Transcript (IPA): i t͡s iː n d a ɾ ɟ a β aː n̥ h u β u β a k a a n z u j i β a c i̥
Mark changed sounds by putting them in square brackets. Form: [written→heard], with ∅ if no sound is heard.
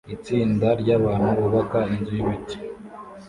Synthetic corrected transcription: i t͡s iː n d a ɾ ɟ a β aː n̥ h u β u β a k a [a→i] n z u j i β [a→i] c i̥